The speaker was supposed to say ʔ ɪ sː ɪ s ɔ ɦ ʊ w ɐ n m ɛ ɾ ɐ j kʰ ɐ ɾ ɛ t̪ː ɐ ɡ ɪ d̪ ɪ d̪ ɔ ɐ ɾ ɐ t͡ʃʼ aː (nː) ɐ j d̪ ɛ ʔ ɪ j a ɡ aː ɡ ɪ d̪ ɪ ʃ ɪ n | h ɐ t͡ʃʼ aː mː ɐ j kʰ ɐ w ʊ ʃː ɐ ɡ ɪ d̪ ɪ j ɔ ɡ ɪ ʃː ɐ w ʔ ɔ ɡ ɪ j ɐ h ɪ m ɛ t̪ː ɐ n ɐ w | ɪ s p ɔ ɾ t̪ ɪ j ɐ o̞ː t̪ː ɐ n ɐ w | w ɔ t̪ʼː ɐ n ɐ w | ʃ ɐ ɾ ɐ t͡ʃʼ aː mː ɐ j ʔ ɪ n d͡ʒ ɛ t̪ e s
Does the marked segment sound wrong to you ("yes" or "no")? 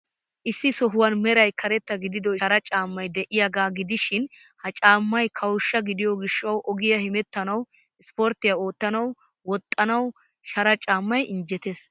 yes